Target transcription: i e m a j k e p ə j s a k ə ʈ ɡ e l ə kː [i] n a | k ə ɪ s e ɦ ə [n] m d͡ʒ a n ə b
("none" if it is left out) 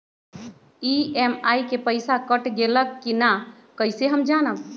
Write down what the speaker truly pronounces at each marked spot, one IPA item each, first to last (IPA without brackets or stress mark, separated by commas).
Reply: i, none